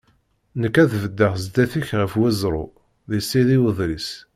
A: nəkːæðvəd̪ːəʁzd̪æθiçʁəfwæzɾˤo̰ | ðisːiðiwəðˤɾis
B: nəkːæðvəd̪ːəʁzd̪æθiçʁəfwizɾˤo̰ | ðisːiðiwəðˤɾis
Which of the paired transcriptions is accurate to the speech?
A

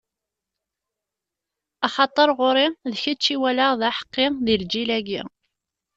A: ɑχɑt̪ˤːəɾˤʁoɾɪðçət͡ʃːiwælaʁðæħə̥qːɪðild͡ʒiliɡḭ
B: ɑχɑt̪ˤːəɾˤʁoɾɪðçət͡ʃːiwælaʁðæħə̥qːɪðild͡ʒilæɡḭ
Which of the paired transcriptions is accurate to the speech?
B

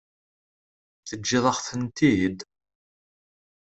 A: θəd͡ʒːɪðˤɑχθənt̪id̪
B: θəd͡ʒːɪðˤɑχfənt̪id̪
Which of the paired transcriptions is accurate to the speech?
A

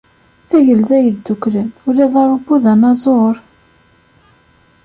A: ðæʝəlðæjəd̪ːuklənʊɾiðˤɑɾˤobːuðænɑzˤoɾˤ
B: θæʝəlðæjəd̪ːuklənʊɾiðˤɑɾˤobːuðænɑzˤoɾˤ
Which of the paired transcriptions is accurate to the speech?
B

